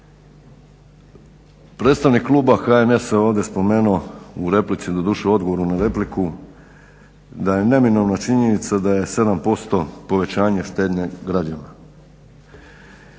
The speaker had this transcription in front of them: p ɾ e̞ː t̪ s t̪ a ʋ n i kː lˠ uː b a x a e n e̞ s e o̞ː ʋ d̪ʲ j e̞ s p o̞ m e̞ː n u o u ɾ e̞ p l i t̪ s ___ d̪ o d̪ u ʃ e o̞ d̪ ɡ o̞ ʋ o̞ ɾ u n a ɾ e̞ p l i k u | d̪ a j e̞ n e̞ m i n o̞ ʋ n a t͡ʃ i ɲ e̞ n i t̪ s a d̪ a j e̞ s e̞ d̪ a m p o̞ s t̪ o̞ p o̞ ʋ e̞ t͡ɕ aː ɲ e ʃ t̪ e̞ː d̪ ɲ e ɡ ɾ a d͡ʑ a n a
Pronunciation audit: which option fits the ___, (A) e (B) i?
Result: B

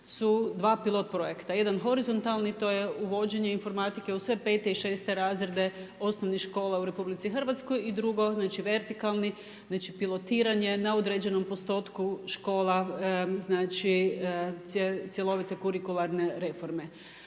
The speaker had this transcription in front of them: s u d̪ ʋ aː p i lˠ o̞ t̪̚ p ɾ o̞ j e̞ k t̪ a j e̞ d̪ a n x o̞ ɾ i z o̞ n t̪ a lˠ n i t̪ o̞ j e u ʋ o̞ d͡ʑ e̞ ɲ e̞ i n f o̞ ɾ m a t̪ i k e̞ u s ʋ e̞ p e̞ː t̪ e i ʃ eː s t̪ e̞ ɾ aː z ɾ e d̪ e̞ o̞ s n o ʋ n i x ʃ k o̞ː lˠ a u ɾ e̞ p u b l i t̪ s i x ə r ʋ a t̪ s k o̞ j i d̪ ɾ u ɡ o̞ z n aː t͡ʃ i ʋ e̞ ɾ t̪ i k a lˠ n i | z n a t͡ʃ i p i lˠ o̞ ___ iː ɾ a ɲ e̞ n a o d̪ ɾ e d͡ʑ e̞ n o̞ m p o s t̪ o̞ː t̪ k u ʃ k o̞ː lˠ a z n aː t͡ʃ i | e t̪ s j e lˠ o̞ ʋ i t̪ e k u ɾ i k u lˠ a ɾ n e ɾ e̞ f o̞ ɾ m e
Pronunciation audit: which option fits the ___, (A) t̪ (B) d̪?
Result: A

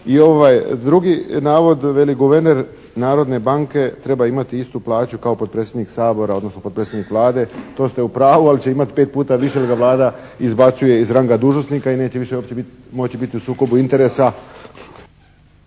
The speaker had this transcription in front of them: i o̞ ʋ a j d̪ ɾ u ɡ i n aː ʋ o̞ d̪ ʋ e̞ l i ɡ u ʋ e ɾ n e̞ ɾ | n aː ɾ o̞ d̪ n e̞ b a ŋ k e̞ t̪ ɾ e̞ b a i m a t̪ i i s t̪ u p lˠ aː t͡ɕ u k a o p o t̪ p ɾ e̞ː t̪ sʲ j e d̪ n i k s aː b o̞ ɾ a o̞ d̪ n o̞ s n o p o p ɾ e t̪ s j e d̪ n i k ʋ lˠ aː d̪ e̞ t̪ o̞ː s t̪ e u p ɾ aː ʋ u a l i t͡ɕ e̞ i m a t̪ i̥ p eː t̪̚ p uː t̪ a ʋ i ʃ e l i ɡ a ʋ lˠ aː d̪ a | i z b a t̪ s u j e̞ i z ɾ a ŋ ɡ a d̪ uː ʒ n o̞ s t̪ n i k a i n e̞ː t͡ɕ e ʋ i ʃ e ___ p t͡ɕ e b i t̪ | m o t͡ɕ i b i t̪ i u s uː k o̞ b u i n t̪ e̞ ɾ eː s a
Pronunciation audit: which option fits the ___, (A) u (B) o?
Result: B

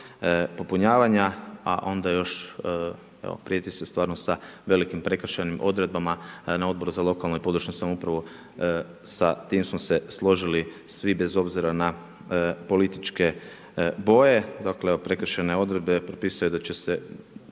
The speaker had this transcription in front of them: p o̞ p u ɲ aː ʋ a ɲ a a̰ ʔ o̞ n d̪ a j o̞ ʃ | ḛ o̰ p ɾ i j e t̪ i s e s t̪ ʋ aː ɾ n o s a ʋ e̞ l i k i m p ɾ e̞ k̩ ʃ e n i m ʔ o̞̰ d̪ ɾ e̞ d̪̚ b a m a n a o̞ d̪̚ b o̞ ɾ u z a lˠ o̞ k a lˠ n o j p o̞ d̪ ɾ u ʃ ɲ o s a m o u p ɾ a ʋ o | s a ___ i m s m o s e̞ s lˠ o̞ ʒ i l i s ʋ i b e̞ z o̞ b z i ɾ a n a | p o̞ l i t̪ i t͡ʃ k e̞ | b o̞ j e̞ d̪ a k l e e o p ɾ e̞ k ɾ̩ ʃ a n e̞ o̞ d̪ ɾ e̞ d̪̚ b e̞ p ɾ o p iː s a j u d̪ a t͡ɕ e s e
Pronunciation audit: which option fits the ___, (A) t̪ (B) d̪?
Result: A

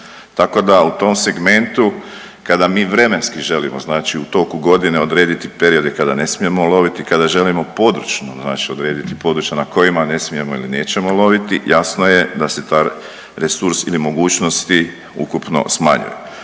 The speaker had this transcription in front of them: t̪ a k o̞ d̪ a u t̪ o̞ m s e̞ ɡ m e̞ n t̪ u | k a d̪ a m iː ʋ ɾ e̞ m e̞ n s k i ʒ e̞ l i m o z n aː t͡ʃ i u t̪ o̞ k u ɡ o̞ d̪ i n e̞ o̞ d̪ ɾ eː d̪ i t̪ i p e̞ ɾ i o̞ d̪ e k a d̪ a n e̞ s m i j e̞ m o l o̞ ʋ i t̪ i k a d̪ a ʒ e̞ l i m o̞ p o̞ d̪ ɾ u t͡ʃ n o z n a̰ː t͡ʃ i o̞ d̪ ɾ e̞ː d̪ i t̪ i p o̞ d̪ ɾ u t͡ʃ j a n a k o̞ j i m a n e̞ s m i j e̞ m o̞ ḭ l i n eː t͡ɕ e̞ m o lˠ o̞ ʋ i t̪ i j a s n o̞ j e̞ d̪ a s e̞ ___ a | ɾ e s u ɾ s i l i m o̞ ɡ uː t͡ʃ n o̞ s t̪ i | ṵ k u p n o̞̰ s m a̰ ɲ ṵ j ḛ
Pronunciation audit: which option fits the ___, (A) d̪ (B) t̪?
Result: B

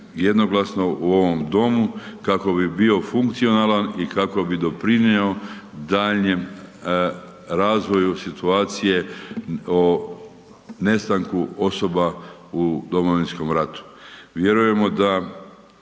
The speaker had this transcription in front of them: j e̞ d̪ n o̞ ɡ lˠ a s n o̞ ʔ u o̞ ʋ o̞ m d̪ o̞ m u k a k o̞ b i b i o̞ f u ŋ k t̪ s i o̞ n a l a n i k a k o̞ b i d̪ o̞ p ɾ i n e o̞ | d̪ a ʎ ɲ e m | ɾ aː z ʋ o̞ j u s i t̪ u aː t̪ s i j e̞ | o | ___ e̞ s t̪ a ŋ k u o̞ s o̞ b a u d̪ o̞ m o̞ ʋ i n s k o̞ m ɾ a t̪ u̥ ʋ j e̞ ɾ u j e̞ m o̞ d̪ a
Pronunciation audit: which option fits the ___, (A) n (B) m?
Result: A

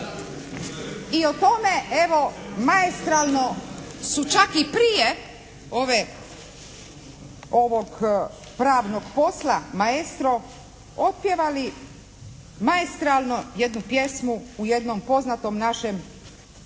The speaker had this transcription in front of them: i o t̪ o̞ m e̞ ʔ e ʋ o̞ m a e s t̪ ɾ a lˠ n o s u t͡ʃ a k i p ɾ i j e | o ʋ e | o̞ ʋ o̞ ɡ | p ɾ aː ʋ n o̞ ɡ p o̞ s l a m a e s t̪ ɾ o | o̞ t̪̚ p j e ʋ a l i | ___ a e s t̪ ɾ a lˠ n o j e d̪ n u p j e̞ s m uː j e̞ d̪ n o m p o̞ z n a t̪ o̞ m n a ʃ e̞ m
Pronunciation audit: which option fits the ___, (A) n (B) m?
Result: B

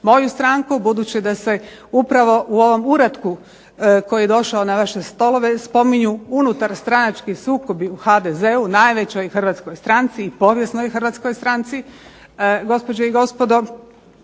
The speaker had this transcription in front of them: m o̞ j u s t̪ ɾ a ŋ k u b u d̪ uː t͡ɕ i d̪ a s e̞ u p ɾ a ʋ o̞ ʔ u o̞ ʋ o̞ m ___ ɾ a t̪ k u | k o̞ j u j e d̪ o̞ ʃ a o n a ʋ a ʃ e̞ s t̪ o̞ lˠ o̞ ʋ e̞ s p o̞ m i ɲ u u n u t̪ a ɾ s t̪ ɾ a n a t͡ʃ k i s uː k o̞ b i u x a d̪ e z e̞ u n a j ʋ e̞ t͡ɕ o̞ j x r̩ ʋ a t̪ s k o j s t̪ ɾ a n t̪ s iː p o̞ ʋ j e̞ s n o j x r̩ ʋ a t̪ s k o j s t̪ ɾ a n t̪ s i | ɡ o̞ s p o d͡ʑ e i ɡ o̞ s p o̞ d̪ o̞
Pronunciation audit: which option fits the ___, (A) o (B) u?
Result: B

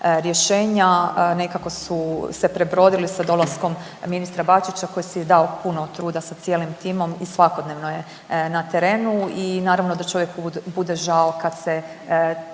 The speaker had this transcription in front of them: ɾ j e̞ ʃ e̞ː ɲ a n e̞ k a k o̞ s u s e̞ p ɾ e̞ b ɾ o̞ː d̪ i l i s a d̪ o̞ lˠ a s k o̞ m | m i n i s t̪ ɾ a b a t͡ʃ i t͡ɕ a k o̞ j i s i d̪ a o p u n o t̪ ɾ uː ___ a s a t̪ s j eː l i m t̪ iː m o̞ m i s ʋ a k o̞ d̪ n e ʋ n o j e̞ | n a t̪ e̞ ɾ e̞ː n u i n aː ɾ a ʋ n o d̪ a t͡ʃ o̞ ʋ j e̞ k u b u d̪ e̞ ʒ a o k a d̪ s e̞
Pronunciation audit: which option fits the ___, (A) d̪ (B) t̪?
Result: A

